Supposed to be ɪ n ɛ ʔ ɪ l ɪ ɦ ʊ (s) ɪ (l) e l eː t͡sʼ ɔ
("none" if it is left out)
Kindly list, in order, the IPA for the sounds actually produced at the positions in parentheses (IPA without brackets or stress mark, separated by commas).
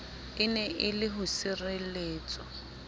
s, r